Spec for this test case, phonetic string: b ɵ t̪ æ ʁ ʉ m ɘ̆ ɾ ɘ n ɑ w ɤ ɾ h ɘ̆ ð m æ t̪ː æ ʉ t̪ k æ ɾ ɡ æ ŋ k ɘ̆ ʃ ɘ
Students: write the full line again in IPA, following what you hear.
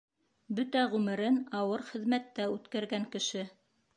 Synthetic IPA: b ɵ t̪ æ ʁ ʉ m ɘ̆ ɾ ɘ n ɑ w ɤ ɾ χ ɘ̆ ð m æ t̪ː æ ʉ t̪ k æ ɾ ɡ æ ŋ k ɘ̆ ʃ ɘ